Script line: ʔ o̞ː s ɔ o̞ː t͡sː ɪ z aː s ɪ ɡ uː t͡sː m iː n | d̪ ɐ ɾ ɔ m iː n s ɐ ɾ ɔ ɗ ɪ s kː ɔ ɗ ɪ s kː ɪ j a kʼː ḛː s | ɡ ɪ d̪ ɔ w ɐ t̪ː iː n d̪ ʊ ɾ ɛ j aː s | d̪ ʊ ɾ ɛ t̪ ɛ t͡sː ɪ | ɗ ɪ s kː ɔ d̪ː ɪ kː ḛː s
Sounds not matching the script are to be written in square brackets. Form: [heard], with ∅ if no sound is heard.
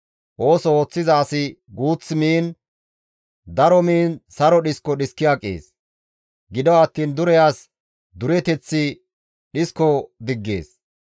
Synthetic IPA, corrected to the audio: ʔ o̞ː s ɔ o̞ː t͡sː ɪ z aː s ɪ ɡ uː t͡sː m iː n | d̪ ɐ ɾ ɔ m iː n s ɐ ɾ ɔ ɗ ɪ s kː ɔ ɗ ɪ s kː ɪ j a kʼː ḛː s | ɡ ɪ d̪ ɔ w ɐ t̪ː iː n d̪ ʊ ɾ ɛ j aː s | d̪ ʊ ɾ ɛ t̪ ɛ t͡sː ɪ | ɗ ɪ s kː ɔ [d̪] ɪ [ɡː] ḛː s